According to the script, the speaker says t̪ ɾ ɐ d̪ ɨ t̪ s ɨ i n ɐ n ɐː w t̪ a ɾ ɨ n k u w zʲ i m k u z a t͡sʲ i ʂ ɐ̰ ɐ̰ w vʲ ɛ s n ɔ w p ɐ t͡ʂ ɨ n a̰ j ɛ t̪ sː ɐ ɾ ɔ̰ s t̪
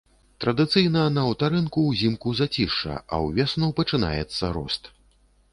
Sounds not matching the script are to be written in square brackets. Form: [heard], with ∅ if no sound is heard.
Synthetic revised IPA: t̪ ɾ ɐ d̪ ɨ t̪ s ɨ [j] n ɐ n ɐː w t̪ a ɾ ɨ n k u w zʲ i m k u z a t͡sʲ i ʂ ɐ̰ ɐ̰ w vʲ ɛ s n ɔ w p ɐ t͡ʂ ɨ n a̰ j ɛ t̪ sː ɐ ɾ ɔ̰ s t̪